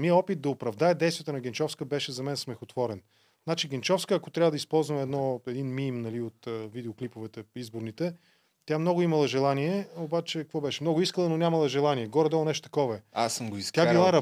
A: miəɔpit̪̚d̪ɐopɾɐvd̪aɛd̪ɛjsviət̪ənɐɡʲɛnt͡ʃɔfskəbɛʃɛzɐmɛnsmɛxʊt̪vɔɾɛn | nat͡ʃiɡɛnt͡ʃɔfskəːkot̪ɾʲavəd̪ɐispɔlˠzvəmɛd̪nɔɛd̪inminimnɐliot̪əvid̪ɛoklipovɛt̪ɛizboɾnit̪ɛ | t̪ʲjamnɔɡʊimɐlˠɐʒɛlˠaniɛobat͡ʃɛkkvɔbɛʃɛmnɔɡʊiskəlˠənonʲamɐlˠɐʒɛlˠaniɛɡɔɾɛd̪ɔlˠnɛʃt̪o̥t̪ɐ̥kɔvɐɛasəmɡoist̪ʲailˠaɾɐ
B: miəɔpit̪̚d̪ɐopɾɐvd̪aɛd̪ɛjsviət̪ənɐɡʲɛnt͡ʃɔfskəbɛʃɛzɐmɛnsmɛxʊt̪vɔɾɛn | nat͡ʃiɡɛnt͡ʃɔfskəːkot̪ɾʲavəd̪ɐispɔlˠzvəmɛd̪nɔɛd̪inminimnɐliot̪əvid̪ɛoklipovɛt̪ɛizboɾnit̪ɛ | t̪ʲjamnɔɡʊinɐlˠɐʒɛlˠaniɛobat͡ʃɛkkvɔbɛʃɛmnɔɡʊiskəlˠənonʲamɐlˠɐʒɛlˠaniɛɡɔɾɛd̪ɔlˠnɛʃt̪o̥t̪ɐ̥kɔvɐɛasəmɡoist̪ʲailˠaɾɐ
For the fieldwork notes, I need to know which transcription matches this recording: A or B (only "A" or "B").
A